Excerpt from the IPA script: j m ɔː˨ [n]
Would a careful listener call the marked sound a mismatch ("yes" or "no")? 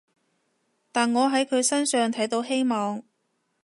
yes